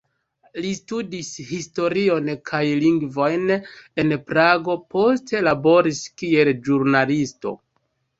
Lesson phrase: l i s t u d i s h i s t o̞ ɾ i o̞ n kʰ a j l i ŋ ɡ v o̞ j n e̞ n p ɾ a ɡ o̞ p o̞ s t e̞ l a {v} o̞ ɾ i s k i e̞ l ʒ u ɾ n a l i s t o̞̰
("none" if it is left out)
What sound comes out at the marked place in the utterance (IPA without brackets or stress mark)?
b